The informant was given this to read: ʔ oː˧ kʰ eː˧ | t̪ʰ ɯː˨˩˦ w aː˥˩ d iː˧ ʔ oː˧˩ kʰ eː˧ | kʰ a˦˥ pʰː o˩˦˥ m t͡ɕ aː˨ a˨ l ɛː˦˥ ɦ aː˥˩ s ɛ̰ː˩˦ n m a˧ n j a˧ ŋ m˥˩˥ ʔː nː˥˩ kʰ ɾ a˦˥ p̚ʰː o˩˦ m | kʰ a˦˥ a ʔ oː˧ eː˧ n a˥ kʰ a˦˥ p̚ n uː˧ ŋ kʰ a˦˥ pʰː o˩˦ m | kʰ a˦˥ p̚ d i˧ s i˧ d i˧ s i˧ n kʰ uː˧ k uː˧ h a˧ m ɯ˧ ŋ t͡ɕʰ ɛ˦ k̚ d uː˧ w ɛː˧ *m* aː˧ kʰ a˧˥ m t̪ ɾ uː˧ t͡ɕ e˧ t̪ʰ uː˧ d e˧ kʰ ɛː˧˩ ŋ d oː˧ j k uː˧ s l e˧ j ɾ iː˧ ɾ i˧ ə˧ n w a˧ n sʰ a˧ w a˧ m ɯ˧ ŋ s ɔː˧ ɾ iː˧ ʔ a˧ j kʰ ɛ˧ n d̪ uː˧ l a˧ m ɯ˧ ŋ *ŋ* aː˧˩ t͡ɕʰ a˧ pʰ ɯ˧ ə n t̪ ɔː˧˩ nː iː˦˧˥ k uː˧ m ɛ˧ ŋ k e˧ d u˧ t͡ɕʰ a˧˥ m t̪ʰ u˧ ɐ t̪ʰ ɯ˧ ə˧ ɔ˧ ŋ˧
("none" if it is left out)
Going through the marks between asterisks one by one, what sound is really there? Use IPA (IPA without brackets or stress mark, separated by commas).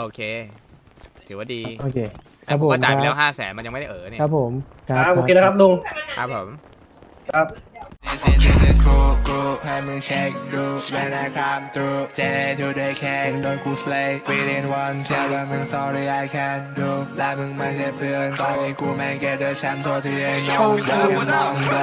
n, m